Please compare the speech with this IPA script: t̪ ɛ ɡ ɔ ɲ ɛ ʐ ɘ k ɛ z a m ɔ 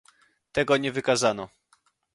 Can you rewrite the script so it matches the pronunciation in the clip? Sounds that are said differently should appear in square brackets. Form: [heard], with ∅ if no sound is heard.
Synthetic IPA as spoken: t̪ ɛ ɡ ɔ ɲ ɛ [v] ɘ k [a] z a [n] ɔ